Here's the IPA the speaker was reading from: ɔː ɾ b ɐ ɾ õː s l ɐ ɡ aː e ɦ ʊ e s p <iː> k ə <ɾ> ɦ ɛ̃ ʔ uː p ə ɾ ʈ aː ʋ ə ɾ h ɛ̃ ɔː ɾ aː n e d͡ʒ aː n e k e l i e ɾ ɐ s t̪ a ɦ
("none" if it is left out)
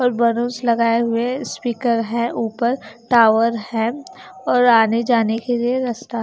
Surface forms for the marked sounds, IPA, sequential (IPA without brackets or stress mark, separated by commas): iː, ɾ